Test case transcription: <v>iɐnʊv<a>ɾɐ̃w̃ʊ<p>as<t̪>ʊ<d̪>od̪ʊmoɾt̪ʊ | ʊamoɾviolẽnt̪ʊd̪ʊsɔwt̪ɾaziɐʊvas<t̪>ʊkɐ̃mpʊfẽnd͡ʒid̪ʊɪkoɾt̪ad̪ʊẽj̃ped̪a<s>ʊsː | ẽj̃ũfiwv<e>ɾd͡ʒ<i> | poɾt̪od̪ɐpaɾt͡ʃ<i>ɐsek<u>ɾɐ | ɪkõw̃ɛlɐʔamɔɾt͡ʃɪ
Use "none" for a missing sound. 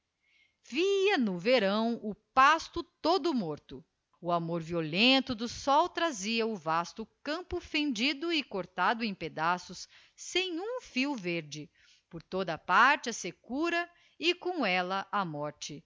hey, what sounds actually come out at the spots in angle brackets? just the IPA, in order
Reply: v, e, p, t̪, t̪, t̪, s, e, ɪ, ɪ, u

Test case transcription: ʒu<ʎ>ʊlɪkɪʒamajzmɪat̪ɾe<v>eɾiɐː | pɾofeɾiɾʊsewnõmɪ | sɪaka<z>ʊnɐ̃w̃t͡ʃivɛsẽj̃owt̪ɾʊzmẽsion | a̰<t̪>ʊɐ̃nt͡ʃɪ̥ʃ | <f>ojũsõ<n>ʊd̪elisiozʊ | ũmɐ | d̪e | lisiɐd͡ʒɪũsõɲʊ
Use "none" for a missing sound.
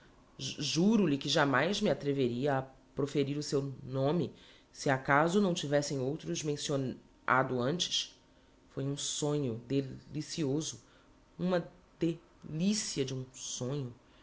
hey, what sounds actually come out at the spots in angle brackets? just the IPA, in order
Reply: ɾ, v, z, d̪, f, ɲ

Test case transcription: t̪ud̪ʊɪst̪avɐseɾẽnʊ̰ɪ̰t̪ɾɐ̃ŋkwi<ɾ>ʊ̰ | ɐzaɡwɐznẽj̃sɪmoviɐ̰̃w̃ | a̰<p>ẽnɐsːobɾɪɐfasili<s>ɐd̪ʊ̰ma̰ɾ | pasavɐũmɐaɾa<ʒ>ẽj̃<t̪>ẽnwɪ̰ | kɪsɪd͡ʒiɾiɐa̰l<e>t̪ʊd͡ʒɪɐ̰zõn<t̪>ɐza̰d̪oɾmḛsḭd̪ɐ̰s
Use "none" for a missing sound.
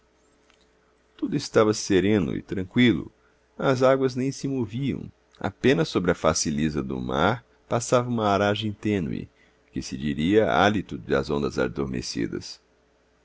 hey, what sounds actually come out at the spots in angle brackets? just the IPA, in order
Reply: l, p, z, ʒ, t̪, i, d̪

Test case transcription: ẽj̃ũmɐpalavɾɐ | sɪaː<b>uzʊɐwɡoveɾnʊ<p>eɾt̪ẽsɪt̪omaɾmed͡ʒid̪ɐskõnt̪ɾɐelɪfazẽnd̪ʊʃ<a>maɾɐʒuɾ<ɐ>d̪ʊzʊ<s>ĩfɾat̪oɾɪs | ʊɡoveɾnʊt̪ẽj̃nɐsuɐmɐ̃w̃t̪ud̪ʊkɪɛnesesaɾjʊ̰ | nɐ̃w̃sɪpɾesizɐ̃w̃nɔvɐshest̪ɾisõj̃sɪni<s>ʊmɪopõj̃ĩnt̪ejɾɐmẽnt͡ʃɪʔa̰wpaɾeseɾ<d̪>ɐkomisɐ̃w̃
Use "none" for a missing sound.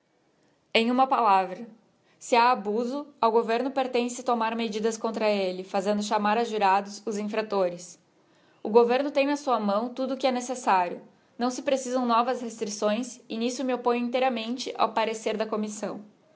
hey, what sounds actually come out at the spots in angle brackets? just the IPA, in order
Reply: b, p, a, a, z, s, d̪

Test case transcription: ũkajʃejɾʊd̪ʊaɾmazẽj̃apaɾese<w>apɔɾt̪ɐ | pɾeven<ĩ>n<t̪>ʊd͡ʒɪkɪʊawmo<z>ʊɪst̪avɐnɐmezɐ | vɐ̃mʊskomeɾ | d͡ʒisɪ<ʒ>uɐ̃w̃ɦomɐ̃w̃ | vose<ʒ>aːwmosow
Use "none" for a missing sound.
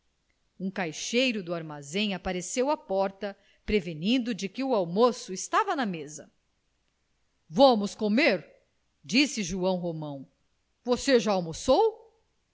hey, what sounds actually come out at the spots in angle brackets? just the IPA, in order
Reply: w, ĩ, d̪, s, ʒ, ʒ

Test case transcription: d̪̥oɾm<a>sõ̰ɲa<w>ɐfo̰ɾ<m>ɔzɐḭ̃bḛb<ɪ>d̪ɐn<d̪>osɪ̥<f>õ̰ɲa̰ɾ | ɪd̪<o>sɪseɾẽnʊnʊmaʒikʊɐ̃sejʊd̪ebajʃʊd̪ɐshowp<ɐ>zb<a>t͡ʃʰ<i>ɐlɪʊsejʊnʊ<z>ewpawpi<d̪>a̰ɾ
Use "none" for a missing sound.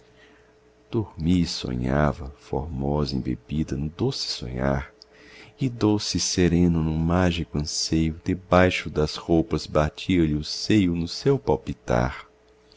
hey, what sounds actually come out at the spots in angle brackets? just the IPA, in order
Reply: i, v, m, i, d̪, s, o, ɐ, a, i, s, t̪

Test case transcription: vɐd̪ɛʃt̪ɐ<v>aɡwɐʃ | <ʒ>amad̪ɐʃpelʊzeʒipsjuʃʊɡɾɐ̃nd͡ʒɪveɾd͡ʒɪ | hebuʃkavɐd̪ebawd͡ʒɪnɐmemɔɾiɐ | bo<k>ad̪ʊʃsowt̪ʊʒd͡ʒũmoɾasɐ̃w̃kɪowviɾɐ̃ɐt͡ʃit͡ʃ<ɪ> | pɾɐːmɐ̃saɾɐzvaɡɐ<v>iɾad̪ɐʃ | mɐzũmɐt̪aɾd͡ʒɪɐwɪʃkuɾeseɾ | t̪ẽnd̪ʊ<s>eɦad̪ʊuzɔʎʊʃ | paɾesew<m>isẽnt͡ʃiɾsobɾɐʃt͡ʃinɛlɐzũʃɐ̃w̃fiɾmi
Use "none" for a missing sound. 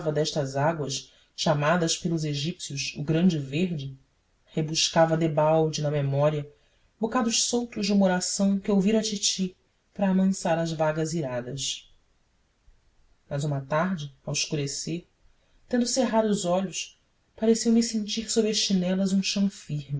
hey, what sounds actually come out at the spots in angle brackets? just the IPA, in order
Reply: z, ʃ, k, i, z, s, m

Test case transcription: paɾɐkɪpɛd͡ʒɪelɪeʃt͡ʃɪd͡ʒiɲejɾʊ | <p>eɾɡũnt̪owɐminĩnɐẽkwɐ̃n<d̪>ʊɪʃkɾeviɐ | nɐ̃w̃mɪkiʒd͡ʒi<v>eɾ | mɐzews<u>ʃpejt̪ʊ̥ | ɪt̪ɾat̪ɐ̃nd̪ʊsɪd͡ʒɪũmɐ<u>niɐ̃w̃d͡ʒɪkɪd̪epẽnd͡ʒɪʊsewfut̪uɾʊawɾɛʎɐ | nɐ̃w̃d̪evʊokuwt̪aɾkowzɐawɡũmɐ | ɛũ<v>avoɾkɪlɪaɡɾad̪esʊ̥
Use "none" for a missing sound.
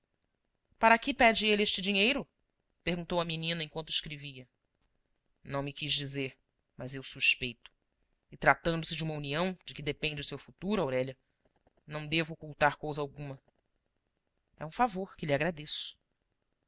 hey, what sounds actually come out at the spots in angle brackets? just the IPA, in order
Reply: p, t̪, z, u, u, f

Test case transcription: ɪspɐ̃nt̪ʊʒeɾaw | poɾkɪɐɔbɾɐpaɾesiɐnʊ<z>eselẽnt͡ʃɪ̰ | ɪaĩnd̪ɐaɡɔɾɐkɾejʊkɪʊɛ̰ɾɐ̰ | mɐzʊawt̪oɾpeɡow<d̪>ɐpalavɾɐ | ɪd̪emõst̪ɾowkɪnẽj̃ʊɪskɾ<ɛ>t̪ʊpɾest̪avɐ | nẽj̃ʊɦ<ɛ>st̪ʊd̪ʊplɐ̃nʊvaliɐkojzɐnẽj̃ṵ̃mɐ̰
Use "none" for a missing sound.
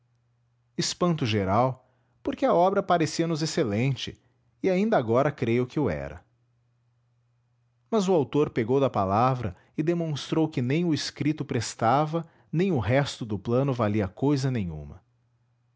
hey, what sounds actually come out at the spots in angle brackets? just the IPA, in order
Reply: z, d̪, i, ɛ

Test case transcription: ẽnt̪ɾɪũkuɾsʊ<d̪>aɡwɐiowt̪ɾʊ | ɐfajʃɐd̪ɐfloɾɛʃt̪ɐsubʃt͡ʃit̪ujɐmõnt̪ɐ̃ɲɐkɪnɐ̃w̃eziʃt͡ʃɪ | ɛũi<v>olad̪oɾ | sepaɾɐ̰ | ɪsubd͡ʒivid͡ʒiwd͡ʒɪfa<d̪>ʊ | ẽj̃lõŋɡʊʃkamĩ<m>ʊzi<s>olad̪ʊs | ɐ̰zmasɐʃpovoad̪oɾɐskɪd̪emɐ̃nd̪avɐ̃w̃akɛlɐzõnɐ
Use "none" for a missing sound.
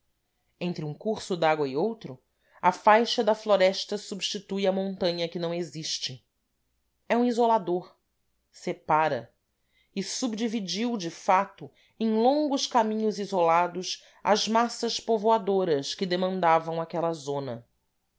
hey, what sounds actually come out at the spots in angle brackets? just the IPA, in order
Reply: d̪, z, t̪, ɲ, z

